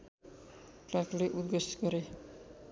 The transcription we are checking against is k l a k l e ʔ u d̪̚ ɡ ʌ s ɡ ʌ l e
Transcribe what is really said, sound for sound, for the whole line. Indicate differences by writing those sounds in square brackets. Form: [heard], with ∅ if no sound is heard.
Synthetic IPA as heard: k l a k l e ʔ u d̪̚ ɡ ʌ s ɡ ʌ [ɾ] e

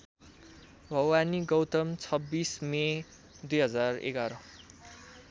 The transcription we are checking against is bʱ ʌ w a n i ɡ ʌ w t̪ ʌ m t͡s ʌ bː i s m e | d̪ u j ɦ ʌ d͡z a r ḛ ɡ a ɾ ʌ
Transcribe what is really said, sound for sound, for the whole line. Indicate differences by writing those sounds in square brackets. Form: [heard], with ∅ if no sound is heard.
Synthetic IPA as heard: bʱ ʌ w a n i ɡ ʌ w t̪ ʌ m [t͡sʰ] ʌ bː i s m e | d̪ u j ɦ ʌ d͡z a r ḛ ɡ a ɾ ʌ

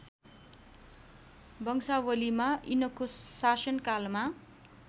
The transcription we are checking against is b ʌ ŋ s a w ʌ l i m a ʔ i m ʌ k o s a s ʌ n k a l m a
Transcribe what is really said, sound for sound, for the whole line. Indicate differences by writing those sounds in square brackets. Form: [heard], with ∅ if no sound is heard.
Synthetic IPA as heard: b ʌ ŋ s a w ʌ l i m a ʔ i [n] ʌ k o s a s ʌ n k a l m a

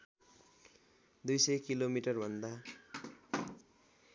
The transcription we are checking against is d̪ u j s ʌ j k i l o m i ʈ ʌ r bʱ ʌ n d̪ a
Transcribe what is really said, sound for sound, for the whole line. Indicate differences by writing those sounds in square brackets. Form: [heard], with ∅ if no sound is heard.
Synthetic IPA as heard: d̪ u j s ʌ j k i l o m i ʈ ʌ r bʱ ʌ n d̪ a

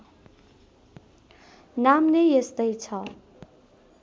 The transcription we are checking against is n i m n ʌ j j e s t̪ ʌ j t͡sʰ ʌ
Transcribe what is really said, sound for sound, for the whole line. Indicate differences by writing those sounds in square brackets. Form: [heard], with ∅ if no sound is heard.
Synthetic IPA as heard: n [a] m n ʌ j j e s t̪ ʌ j t͡sʰ ʌ

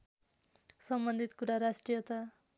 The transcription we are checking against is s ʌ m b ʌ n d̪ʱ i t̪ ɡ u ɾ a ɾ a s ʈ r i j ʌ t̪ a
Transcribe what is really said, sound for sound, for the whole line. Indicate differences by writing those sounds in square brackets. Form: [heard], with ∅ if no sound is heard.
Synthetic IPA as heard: s ʌ m b ʌ n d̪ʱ i t̪ [k] u ɾ a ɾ a s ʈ r i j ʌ t̪ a

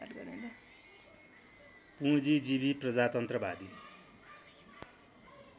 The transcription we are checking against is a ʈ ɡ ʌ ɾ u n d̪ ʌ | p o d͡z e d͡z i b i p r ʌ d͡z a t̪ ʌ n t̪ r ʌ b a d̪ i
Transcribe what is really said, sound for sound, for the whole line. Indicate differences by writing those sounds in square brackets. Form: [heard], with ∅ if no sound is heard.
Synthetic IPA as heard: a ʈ ɡ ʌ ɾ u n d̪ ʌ | p [u] d͡z [i] d͡z i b i p r ʌ d͡z a t̪ ʌ n t̪ r ʌ b a d̪ i

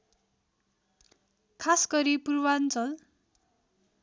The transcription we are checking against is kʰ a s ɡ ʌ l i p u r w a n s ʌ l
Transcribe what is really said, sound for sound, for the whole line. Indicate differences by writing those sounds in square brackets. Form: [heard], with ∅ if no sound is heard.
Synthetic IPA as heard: kʰ a s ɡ ʌ [ɾ] i p u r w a n [t͡s] ʌ l

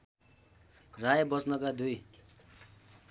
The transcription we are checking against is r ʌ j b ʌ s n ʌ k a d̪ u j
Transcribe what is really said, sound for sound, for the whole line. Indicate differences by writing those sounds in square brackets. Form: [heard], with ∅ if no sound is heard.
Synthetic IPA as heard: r [a] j b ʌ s n ʌ k a d̪ u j

